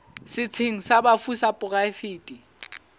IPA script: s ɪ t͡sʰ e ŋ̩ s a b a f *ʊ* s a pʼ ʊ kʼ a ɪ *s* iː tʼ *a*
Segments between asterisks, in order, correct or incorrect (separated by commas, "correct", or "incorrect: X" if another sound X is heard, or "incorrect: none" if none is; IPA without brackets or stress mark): incorrect: u, incorrect: f, incorrect: i